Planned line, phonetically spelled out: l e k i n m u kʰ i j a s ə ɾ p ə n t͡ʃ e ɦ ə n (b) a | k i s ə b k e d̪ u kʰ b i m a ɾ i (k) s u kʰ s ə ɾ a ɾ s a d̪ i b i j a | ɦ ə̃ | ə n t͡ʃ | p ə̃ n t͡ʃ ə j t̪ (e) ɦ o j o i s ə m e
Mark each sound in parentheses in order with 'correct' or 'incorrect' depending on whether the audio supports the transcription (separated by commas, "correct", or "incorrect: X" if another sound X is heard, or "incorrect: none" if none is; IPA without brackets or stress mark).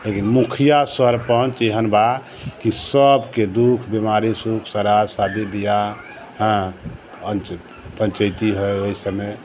correct, incorrect: none, incorrect: i